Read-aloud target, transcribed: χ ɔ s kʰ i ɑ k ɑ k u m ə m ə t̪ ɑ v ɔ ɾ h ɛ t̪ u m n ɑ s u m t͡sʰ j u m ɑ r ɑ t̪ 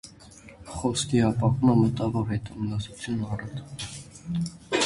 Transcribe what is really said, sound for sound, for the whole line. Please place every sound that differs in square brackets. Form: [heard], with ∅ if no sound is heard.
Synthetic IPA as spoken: χ ɔ s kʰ i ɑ [p] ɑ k u m ə m ə t̪ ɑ v ɔ ɾ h ɛ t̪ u m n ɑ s u [∅] t͡sʰ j u [n] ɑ r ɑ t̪